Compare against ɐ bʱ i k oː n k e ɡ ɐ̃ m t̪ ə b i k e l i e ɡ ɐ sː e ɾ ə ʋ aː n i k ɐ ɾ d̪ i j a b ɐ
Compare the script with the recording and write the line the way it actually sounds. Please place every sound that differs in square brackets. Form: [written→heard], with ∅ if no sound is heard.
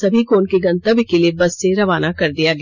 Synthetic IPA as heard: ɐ bʱ i k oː n k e ɡ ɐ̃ [m→n] t̪ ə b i k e l i e [ɡ→b] ɐ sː e ɾ [ə→ɐ] ʋ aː n [i→a] k ɐ ɾ d̪ i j a [b→ɡ] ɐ